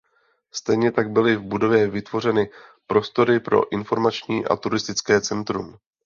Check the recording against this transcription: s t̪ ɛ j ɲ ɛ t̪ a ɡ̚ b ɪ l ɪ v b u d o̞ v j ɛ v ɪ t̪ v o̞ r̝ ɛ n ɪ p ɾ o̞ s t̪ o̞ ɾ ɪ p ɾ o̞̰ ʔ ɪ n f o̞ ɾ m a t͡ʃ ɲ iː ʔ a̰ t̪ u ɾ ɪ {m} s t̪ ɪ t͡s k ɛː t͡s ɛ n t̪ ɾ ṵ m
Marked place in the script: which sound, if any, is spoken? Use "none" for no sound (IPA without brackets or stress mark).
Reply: none